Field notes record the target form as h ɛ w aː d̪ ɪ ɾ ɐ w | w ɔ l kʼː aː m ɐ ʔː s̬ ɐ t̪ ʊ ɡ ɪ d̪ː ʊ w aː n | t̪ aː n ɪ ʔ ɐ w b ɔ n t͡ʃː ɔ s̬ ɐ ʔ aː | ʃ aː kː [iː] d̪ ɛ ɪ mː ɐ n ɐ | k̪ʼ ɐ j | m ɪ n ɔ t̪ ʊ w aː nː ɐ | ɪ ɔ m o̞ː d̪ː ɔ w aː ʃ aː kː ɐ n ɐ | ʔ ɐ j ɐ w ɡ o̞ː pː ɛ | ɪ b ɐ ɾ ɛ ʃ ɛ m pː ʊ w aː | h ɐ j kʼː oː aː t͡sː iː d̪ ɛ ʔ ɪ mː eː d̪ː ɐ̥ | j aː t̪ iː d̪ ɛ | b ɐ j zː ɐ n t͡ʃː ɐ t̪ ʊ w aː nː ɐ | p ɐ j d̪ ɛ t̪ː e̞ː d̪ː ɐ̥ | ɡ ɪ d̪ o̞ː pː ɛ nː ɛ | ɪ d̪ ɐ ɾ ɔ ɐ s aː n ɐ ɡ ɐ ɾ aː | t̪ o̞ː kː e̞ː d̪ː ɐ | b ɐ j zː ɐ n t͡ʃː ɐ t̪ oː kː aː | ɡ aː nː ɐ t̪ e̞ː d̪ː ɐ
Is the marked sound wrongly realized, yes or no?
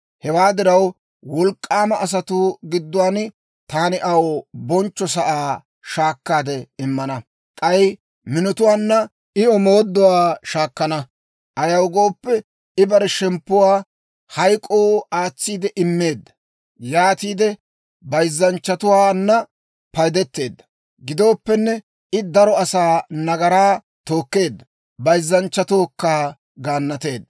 yes